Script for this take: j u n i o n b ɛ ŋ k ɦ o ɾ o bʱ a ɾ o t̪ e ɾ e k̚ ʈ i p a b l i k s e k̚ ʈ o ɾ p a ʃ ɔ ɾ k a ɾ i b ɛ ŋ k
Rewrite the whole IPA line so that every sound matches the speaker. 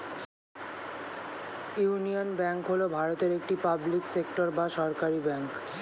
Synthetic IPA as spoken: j u n i o n b ɛ ŋ k ɦ o l o bʱ a ɾ o t̪ e ɾ e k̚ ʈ i p a b l i k s e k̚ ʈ o ɾ b a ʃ ɔ ɾ k a ɾ i b ɛ ŋ k